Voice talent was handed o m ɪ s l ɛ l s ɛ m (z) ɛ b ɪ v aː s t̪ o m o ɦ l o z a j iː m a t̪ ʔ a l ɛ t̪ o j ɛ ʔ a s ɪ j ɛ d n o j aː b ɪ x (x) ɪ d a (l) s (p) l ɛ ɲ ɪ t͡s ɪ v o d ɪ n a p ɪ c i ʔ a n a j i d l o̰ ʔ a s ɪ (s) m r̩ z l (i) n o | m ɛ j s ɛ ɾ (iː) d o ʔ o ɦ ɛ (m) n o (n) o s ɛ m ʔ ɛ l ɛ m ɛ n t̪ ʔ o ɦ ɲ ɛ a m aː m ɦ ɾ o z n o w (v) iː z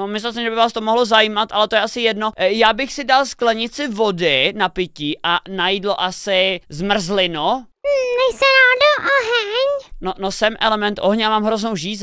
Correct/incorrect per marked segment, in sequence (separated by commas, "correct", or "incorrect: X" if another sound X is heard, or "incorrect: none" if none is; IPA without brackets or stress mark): incorrect: ʒ, incorrect: s, correct, incorrect: k, incorrect: z, incorrect: ɪ, incorrect: aː, incorrect: ɲ, correct, incorrect: ʒ